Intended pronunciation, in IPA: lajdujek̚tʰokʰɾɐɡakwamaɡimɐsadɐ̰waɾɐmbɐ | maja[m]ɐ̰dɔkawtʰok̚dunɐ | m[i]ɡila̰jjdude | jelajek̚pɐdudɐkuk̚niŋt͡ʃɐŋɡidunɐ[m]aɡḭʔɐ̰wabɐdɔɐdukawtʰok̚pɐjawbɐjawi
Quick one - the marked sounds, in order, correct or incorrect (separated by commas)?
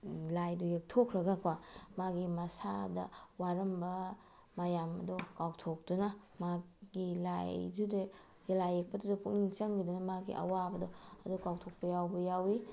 correct, incorrect, correct